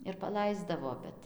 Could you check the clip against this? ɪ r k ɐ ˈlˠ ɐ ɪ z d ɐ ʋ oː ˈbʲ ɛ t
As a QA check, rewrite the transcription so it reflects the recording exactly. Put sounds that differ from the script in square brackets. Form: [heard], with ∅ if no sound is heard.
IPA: ɪ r [p] ɐ ˈlˠ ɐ ɪ z d ɐ ʋ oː ˈbʲ ɛ t